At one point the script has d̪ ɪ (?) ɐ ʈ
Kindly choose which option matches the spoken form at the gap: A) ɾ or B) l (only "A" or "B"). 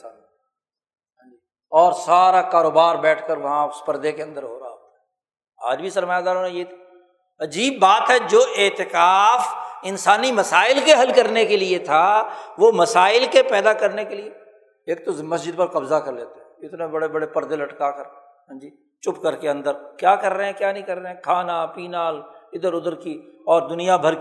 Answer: B